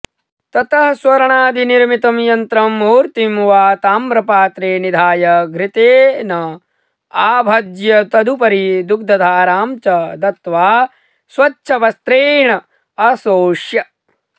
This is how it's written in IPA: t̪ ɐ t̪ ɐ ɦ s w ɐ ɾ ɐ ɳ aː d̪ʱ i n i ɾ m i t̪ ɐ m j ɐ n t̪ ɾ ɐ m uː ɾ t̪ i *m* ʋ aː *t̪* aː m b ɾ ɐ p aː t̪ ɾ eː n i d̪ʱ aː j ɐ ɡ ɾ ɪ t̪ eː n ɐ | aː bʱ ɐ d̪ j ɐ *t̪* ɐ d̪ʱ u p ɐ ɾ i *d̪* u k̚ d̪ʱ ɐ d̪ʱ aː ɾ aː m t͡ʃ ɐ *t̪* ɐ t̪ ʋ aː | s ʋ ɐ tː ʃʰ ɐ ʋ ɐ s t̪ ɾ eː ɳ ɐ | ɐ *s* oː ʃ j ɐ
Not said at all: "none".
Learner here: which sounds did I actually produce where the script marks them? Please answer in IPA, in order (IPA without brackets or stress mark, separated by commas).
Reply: m, t̪, t̪, d̪, d̪, s